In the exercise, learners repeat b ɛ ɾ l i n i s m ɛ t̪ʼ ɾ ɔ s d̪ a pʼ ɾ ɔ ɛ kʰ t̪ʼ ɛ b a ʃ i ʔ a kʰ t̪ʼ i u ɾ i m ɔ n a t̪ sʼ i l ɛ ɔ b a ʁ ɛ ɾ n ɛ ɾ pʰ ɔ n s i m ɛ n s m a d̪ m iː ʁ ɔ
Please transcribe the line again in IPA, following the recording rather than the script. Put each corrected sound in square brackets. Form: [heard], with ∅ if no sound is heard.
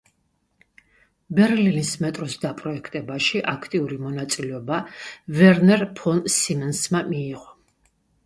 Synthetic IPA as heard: b ɛ ɾ l i n i s m ɛ t̪ʼ ɾ ɔ s d̪ a pʼ ɾ ɔ ɛ kʰ t̪ʼ ɛ b a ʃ i ʔ a kʰ t̪ʼ i u ɾ i m ɔ n a t̪ sʼ i l ɛ ɔ b a [v] ɛ ɾ n ɛ ɾ pʰ ɔ n s i m ɛ n s m a [∅] m iː ʁ ɔ